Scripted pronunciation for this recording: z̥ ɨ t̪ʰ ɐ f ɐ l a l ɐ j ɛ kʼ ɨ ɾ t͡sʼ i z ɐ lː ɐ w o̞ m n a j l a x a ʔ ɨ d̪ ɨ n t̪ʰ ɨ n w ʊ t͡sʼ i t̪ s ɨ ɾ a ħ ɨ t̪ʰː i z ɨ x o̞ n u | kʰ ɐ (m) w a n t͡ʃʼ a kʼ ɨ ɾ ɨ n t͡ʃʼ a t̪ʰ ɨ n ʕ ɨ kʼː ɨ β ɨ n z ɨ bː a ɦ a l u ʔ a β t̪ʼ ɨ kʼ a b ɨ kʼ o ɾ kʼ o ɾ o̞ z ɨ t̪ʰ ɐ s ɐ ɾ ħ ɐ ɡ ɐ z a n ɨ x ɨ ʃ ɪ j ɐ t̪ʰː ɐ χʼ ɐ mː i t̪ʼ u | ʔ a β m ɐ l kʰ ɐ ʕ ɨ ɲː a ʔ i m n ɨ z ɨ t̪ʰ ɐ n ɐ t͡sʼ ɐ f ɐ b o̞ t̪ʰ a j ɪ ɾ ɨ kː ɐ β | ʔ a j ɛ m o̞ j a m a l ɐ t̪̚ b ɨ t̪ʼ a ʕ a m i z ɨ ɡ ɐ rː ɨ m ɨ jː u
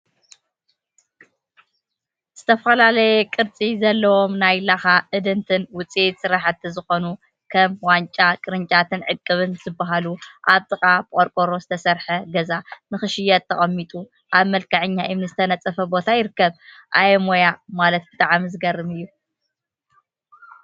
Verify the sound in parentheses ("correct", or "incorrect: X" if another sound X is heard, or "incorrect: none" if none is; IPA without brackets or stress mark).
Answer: correct